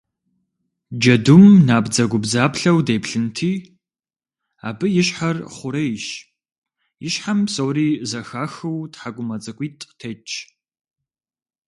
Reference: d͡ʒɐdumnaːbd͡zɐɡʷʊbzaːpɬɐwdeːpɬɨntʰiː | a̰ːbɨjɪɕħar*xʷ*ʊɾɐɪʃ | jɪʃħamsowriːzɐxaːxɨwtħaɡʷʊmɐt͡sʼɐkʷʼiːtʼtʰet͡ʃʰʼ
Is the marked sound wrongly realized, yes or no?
yes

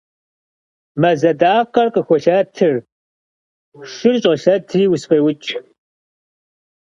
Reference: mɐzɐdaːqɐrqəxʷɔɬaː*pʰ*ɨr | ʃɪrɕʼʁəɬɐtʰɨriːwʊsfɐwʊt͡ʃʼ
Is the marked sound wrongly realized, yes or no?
yes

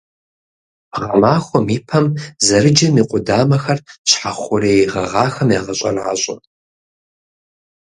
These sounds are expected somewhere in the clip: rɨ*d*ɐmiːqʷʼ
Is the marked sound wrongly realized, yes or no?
yes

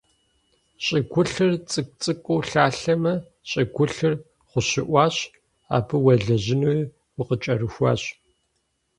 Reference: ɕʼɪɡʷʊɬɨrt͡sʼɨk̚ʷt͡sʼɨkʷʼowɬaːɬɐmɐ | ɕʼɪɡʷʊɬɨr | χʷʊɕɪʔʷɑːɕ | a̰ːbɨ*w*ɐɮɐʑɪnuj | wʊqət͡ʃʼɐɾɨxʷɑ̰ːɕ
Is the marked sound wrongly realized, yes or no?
no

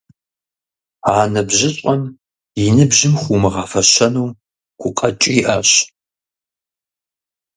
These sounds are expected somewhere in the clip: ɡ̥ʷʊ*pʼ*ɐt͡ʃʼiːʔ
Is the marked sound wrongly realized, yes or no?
yes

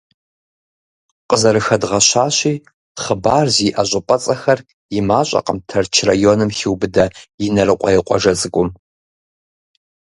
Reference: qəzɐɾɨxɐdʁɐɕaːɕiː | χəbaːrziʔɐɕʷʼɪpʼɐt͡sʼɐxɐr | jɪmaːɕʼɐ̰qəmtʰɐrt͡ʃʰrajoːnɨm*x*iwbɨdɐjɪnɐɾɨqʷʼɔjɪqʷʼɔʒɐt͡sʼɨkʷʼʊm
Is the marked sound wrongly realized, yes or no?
no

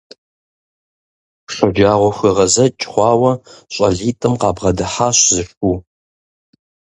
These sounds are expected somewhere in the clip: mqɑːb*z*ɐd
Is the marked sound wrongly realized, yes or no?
yes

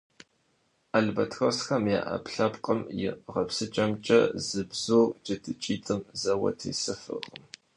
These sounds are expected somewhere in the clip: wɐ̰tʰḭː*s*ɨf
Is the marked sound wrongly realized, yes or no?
no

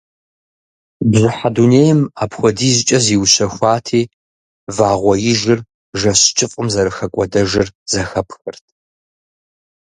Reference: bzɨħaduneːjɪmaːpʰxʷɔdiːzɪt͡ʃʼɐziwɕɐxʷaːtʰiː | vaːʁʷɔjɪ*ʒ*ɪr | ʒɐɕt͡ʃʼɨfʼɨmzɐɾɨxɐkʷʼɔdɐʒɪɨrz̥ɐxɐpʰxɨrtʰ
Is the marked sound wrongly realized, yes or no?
no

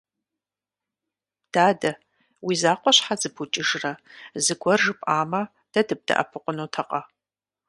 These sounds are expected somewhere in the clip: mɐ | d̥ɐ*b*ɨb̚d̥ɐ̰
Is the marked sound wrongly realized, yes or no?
yes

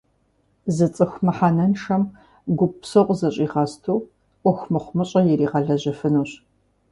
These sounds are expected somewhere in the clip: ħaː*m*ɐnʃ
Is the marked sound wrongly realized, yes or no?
yes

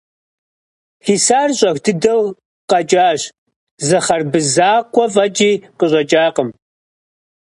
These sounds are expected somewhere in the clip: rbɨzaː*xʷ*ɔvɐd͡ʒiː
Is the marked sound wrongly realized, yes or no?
yes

